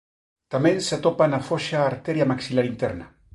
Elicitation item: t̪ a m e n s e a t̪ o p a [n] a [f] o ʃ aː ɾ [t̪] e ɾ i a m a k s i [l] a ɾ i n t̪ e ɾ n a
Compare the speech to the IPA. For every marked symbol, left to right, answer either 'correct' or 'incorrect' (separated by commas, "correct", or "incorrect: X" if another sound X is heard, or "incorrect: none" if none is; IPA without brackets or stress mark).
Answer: correct, correct, correct, correct